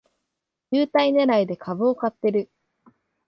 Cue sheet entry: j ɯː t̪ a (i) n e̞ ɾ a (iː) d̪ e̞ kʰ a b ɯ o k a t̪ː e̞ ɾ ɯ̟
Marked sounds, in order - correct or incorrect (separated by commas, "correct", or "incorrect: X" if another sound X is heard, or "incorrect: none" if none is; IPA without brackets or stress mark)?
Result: correct, incorrect: i